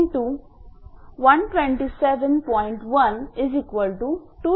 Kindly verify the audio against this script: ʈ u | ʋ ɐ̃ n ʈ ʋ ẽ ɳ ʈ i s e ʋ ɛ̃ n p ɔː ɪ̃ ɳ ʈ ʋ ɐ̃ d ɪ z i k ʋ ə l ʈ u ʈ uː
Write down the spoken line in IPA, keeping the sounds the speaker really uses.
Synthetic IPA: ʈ u | ʋ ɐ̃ n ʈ ʋ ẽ ɳ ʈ i s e ʋ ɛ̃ n p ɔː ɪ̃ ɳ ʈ ʋ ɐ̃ n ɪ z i k ʋ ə l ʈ u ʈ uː